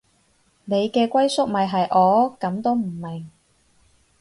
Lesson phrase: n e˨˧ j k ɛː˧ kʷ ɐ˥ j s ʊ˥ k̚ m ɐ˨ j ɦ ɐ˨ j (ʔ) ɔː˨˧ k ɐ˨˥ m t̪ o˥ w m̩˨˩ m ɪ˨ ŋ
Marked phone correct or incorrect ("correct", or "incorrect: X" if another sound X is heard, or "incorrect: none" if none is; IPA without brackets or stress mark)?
correct